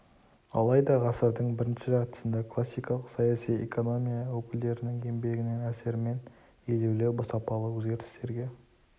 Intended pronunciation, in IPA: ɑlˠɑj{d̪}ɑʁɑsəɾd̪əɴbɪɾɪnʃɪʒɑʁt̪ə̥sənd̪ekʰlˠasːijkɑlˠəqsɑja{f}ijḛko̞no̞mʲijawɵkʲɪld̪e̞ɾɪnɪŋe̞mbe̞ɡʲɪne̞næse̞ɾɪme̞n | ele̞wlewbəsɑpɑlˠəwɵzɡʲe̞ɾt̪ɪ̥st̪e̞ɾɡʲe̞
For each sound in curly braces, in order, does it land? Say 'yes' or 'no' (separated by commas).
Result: yes, no